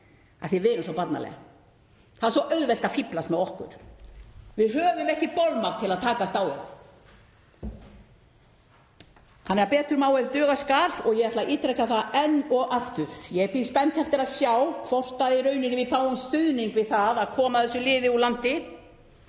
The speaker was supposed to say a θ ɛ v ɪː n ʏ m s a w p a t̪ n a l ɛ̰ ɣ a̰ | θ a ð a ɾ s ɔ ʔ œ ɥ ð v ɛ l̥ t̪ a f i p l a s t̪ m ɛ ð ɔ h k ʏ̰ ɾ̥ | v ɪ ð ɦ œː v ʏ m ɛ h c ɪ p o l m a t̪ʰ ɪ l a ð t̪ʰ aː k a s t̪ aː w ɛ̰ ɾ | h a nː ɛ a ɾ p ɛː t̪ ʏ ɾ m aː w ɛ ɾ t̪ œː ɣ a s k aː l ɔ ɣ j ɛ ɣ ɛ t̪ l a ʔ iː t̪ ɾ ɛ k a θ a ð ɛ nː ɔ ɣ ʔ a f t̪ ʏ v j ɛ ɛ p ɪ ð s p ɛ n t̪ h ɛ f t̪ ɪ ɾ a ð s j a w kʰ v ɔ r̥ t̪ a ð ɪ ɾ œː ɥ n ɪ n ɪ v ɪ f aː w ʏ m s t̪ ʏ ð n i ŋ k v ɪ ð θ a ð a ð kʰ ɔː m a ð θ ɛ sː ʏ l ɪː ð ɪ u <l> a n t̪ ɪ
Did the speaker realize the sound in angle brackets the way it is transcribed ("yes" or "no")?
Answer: yes